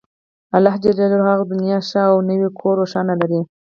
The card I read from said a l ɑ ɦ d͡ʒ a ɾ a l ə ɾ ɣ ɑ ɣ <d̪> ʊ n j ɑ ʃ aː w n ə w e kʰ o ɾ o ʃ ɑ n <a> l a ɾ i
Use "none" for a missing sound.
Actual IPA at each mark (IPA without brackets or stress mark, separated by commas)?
d̪, a